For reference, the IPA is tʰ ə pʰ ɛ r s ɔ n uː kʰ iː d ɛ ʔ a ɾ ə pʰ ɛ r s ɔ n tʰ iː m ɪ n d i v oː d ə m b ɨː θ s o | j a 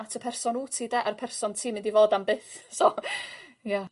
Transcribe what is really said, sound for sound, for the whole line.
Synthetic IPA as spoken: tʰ ə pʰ ɛ r s ɔ n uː tʰ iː d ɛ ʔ a ɾ ə pʰ ɛ r s ɔ n tʰ iː m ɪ n d i v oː d a m b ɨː θ s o | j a